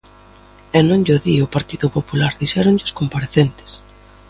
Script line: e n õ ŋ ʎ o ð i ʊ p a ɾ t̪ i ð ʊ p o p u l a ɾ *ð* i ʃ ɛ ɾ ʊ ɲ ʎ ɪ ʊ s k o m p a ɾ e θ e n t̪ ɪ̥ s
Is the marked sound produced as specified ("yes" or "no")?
yes